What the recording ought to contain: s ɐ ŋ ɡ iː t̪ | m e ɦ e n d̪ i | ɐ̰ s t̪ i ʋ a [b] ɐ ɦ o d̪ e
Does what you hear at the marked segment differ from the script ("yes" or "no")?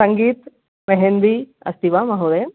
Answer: yes